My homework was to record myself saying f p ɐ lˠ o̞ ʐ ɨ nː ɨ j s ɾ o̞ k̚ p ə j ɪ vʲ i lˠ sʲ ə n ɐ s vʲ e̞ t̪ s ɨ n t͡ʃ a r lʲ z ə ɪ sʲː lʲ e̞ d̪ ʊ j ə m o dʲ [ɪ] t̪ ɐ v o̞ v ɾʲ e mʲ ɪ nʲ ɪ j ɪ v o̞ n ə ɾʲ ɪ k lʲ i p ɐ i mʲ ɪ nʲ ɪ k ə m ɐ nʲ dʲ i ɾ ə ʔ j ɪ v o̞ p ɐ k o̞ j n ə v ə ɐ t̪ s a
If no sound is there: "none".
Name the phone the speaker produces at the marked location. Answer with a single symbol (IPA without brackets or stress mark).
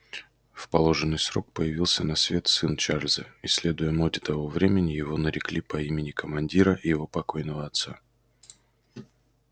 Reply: ɪ